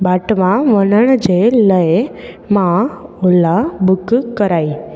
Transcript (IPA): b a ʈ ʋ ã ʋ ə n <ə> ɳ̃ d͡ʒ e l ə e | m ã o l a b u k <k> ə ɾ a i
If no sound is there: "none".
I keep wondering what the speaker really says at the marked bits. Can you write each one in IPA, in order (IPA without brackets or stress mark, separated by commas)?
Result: ə, k